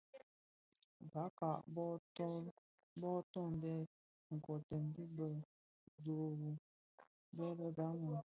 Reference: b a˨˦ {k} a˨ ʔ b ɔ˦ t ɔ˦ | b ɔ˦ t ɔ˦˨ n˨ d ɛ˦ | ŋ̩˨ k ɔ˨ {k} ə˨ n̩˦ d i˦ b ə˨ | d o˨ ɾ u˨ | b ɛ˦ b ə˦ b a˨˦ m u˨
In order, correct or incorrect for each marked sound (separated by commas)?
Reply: correct, incorrect